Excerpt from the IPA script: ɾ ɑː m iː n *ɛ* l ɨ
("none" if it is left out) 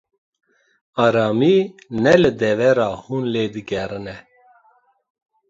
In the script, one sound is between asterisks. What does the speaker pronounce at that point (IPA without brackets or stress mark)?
ɛ